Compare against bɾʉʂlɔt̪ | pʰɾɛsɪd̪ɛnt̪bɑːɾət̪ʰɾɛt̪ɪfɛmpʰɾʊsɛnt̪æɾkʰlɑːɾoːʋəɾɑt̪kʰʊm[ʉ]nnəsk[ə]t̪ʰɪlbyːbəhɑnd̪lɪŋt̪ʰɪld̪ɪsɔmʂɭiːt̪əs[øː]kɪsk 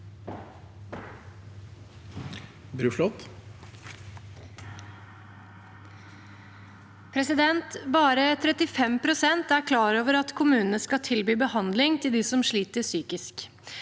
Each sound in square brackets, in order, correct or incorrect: incorrect: ʉː, incorrect: ɑ, incorrect: yː

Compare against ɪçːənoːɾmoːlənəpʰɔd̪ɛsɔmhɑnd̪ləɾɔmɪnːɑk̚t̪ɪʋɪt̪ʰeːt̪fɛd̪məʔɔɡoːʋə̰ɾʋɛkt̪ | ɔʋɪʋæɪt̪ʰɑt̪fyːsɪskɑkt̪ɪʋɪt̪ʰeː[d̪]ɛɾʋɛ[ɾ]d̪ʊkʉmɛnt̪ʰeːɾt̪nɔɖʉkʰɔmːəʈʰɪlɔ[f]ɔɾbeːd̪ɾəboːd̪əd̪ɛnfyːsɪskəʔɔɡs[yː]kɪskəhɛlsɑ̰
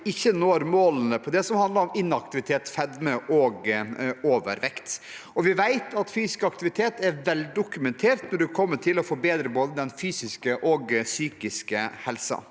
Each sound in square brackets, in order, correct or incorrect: incorrect: t̪, incorrect: l, correct, correct

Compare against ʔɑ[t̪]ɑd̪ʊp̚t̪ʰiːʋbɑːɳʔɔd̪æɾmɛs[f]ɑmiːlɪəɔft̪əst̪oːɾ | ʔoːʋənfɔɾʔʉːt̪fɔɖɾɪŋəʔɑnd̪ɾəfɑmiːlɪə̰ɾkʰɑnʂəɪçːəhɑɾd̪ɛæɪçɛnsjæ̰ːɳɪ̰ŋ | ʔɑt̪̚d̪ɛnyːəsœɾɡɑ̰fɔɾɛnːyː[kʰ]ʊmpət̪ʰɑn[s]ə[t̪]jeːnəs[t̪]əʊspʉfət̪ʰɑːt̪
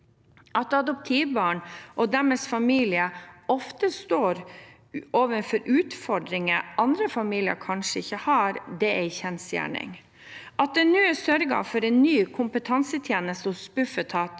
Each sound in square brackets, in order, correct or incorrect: correct, correct, correct, correct, incorrect: t̪ʰ, correct

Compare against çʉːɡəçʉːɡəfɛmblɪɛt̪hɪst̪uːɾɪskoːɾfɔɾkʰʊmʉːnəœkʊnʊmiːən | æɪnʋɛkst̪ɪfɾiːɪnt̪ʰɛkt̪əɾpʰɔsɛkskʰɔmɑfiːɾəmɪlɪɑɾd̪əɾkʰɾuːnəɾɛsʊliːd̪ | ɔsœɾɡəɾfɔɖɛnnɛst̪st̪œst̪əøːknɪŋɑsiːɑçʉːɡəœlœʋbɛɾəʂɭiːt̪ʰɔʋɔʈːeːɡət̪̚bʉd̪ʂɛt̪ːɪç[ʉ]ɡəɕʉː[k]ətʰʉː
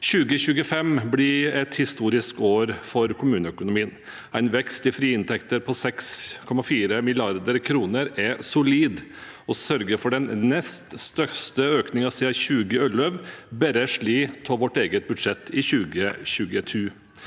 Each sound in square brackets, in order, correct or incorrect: incorrect: ʉː, incorrect: ɡ

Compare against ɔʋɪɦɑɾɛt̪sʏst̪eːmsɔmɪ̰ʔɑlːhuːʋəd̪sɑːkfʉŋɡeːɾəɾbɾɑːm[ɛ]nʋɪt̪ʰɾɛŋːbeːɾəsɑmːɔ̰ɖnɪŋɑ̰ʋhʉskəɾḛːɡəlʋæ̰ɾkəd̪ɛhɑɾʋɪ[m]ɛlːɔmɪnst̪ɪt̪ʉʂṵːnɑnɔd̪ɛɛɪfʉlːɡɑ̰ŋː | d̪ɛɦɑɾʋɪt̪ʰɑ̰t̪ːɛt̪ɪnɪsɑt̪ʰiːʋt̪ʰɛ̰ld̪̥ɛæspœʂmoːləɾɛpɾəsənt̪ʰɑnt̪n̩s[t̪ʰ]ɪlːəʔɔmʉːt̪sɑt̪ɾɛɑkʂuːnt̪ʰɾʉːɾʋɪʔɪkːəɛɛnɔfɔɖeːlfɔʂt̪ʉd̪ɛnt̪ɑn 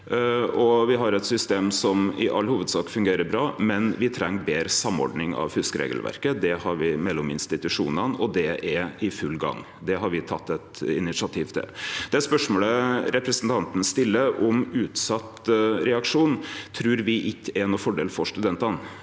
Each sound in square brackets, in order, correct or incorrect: correct, correct, incorrect: t̪

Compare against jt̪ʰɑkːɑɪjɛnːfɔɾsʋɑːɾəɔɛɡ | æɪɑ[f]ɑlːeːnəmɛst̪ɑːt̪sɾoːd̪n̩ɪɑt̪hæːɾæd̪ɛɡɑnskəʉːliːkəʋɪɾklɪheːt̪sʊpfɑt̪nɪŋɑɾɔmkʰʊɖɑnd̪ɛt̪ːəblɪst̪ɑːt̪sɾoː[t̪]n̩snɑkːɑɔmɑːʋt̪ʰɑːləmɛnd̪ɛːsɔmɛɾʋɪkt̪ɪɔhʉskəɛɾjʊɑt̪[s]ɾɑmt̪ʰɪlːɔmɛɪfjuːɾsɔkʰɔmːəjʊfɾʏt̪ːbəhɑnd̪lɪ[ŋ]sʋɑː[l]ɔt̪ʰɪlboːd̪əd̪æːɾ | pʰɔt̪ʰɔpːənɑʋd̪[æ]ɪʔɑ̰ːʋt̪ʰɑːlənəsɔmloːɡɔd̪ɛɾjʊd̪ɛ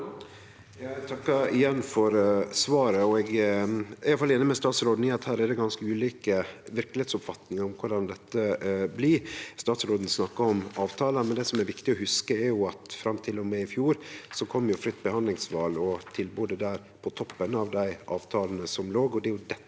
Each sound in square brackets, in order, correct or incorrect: correct, incorrect: d̪, incorrect: f, correct, correct, correct

